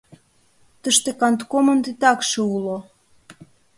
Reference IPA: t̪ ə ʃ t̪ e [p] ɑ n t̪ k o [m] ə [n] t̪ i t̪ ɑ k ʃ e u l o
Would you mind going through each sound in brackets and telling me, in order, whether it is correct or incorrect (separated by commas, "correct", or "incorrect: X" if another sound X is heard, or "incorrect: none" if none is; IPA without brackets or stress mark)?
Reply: incorrect: k, correct, correct